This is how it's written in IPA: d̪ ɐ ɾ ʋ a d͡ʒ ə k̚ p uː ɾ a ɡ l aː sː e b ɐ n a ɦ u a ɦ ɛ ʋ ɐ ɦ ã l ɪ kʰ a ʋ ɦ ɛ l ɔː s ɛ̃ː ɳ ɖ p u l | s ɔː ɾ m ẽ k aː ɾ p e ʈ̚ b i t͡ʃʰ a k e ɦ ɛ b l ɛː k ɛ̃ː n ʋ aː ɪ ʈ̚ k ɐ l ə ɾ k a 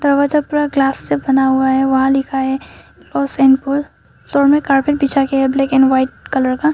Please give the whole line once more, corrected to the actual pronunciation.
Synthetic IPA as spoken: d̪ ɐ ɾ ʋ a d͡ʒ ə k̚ p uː ɾ a ɡ l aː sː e b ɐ n a ɦ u a ɦ ɛ ʋ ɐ ɦ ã l ɪ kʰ a ɦ ɛ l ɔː s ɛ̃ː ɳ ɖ p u l | s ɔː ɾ m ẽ k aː ɾ p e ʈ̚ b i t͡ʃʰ a k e ɦ ɛ b l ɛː k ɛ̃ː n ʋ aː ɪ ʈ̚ k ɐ l ə ɾ k a